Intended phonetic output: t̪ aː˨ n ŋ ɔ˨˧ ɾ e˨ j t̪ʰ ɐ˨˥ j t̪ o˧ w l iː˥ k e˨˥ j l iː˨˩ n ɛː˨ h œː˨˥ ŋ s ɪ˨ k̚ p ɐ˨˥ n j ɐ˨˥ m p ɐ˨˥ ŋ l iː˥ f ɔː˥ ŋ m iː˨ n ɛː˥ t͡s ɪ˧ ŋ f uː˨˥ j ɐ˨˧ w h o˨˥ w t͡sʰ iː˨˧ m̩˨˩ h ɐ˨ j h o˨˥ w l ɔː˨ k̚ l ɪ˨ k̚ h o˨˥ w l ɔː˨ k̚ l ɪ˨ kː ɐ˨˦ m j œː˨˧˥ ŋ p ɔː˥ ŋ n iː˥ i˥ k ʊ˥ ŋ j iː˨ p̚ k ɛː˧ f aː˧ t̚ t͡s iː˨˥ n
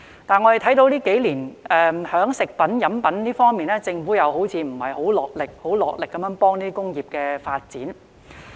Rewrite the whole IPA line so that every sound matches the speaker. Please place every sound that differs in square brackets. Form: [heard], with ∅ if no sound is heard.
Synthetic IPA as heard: t̪ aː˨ n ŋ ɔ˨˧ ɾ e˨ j t̪ʰ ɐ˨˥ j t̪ o˧ w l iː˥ k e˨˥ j l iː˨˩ n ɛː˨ h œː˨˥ ŋ s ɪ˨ k̚ p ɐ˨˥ n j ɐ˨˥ m p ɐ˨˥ [n] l iː˥ f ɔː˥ ŋ m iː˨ n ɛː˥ t͡s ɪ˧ ŋ f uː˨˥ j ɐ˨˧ w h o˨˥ w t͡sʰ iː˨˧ m̩˨˩ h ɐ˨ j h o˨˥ w l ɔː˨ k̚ l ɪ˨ k̚ h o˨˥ w l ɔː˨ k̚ l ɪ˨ kː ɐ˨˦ m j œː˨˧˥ ŋ p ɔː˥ ŋ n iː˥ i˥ k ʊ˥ ŋ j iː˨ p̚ k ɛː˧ f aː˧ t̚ t͡s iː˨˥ n